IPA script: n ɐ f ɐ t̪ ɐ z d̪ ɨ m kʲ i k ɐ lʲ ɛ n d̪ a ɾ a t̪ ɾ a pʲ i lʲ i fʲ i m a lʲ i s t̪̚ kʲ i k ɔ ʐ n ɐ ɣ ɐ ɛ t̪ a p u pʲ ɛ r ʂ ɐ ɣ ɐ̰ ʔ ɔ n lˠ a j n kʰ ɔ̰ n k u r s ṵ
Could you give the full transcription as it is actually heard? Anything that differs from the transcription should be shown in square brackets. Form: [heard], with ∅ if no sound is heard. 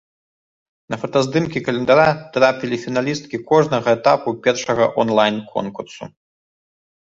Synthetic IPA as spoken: n ɐ f ɐ t̪ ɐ z d̪ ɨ m kʲ i k ɐ lʲ ɛ n d̪ a ɾ a t̪ ɾ a pʲ i lʲ i fʲ i [n] a lʲ i s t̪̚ kʲ i k ɔ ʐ n ɐ ɣ ɐ ɛ t̪ a p u pʲ ɛ r ʂ ɐ ɣ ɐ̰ ʔ ɔ n lˠ a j n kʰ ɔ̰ n k u r s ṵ